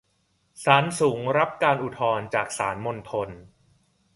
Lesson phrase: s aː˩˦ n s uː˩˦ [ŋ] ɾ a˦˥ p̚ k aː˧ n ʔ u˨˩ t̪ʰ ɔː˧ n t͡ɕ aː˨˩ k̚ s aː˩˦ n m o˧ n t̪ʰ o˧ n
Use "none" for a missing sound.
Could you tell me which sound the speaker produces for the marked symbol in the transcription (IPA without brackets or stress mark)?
ŋ